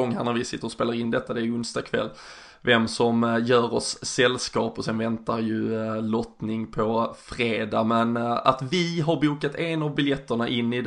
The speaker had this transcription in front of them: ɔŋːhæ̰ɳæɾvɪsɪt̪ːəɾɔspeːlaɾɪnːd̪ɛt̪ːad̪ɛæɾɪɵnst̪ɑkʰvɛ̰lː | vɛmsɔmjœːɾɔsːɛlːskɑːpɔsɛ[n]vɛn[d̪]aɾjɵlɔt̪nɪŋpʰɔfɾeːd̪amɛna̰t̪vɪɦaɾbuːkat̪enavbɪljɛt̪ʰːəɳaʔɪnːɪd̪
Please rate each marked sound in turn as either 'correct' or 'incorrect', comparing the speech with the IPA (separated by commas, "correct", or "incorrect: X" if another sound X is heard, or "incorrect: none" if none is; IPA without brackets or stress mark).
correct, incorrect: t̪